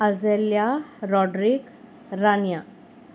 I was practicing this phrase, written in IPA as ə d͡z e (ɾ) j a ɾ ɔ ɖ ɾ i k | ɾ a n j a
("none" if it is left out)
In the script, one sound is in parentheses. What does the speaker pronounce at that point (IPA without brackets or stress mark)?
l